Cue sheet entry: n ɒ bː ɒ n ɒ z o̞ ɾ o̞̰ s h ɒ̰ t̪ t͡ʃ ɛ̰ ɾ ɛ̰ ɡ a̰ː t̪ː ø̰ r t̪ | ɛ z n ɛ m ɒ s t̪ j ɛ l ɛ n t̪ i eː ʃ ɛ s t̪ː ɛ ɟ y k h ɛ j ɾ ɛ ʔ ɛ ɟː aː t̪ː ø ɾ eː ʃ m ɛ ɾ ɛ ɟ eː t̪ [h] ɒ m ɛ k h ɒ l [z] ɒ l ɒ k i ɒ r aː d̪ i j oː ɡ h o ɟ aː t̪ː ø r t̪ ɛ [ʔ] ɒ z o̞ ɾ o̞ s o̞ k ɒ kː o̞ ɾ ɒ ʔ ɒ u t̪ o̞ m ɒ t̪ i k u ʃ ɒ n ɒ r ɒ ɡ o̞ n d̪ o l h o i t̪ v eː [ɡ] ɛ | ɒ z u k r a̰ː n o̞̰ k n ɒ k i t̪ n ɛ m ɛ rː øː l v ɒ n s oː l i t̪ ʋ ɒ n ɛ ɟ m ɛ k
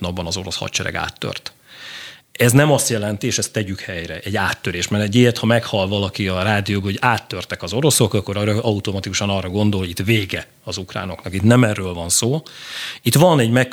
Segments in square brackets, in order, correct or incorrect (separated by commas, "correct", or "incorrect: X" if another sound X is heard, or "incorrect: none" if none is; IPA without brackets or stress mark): correct, incorrect: v, incorrect: k, correct